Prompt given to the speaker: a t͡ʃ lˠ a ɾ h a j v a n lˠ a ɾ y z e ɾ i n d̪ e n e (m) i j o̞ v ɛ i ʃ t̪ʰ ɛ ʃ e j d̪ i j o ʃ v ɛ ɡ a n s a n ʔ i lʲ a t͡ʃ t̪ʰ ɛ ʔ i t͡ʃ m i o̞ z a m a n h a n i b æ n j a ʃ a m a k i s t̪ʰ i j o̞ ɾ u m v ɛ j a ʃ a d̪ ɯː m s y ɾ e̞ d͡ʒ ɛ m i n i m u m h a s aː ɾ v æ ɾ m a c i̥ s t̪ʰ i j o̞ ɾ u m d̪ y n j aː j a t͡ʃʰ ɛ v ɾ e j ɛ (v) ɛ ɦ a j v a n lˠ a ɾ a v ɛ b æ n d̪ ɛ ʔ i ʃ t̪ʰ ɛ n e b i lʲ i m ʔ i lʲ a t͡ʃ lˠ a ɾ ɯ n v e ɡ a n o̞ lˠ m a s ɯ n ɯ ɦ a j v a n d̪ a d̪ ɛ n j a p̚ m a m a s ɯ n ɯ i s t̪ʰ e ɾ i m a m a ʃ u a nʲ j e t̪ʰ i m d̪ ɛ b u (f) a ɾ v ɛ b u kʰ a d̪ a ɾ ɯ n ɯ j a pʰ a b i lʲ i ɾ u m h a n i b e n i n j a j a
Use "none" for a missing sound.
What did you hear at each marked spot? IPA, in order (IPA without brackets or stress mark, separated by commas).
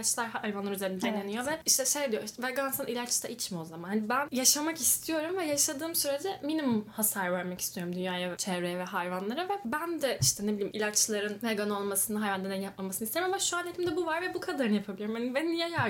n, v, v